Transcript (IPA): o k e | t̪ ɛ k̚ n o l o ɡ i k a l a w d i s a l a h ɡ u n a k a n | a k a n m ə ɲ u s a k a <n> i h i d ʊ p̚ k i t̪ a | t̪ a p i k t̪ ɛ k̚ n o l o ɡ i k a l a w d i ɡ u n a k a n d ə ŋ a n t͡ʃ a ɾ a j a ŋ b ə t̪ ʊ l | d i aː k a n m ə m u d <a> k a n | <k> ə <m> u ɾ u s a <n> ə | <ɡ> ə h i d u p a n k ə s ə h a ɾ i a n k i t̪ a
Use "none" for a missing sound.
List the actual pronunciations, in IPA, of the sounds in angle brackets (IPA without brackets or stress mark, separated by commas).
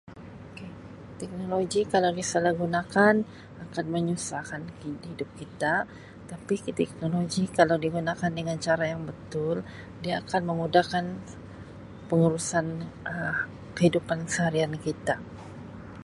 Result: n, a, p, ŋ, n, k